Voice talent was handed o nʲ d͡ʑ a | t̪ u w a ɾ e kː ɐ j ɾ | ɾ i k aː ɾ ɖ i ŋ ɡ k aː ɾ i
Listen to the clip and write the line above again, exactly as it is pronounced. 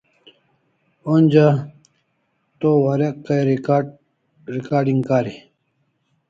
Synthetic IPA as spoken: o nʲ d͡ʑ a | t̪ o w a ɾ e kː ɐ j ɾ | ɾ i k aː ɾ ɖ i ŋ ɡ k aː ɾ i